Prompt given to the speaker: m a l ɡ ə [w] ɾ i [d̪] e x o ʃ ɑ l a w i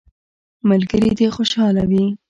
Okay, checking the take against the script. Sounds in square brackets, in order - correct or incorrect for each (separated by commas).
incorrect, correct